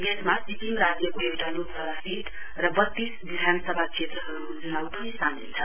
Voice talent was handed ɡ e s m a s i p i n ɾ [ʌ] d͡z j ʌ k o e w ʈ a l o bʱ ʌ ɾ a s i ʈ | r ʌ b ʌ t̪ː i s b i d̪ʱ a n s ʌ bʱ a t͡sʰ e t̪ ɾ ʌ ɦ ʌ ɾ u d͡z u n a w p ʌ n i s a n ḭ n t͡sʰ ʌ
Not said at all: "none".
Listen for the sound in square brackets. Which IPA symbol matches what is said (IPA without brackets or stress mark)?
a